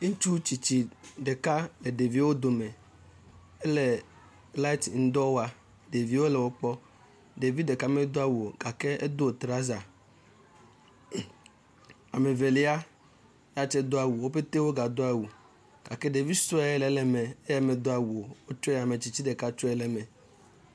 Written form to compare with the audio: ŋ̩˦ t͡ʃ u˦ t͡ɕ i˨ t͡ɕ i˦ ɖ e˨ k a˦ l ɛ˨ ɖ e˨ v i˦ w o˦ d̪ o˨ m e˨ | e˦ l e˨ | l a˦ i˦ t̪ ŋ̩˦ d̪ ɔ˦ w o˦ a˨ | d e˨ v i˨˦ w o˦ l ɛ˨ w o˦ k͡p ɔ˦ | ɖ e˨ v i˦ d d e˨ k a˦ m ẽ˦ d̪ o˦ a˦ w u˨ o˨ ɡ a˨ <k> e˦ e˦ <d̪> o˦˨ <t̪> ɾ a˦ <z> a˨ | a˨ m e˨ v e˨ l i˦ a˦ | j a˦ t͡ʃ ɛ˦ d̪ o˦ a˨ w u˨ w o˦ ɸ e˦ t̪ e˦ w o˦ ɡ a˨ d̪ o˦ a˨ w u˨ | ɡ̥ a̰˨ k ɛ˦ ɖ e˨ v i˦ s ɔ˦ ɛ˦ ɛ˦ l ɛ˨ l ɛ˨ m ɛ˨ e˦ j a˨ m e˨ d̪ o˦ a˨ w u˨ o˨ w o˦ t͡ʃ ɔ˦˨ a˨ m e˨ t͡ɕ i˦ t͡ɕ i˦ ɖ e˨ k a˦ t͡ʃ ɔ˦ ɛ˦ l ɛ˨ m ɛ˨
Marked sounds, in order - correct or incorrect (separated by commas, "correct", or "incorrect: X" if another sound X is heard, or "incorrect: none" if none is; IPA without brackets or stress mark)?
correct, correct, correct, correct